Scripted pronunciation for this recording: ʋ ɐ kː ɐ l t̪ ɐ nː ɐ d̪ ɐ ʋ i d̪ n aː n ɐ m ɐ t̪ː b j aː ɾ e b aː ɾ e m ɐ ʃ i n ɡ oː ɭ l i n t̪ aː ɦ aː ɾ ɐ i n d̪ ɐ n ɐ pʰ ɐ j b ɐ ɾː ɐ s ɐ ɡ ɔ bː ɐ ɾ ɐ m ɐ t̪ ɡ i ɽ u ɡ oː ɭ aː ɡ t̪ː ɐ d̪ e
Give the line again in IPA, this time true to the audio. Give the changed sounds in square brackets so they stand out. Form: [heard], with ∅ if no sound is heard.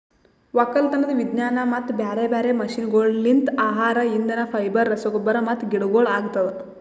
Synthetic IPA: ʋ ɐ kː ɐ l t̪ ɐ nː ɐ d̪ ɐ ʋ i d̪ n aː n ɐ m ɐ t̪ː b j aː ɾ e b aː ɾ e m ɐ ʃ i n ɡ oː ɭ l i n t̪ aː ɦ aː ɾ ɐ i n d̪ ɐ n ɐ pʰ ɐ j b ɐ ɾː ɐ s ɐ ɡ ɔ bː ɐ ɾ ɐ m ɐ t̪ ɡ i ɽ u ɡ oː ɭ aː ɡ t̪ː ɐ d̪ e